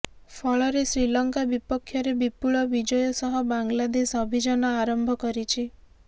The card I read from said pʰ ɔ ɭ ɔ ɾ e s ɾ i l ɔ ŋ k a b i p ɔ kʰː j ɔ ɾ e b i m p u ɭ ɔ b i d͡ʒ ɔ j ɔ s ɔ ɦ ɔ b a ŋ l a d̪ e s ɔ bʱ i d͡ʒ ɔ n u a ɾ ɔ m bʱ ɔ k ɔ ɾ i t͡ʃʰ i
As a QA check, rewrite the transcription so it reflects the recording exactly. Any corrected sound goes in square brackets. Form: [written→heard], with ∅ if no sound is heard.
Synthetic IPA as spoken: pʰ ɔ ɭ ɔ ɾ e s ɾ i l ɔ ŋ k a b i p ɔ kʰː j ɔ ɾ e b i [m→∅] p u ɭ ɔ b i d͡ʒ ɔ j ɔ s ɔ ɦ ɔ b a ŋ l a d̪ e s ɔ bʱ i d͡ʒ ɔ n [u→ɔ] a ɾ ɔ m bʱ ɔ k ɔ ɾ i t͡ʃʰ i